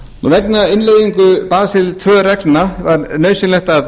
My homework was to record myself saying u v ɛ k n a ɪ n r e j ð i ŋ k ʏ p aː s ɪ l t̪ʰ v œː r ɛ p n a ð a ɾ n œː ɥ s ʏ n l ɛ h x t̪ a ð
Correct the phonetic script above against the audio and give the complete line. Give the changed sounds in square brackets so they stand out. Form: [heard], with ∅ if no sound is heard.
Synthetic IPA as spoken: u v ɛ k n a ɪ n [l] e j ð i ŋ k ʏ p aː s ɪ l t̪ʰ v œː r ɛ [k] n a [v] a ɾ n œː ɥ s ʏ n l ɛ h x t̪ a ð